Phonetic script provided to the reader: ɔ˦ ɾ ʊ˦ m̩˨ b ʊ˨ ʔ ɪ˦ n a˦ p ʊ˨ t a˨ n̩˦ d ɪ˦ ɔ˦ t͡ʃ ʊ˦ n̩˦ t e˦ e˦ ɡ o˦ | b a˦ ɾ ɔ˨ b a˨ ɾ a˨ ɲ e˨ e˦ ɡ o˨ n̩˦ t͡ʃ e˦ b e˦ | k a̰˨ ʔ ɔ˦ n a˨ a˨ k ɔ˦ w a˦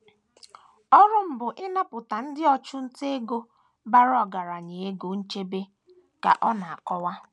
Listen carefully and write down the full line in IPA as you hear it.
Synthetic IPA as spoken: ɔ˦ ɾ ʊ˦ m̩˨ b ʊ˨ ʔ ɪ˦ n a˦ p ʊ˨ t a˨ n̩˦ d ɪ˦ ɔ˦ t͡ʃ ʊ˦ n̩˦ t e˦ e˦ ɡ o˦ | b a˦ ɾ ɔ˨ ɡ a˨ ɾ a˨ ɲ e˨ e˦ ɡ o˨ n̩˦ t͡ʃ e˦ b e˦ | k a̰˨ ʔ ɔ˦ n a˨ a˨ k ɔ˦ w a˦